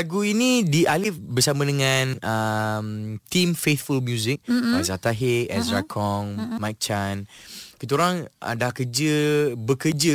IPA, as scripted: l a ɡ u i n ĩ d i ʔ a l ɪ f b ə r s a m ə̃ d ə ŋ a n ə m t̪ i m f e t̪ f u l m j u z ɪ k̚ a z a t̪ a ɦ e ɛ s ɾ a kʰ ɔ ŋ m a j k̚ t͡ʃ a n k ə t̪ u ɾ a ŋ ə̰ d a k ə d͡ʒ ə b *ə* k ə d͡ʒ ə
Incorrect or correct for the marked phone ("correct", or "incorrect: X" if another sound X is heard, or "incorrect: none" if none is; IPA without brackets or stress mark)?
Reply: correct